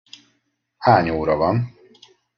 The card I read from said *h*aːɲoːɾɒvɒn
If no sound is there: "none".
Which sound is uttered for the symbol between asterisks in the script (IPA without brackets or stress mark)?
h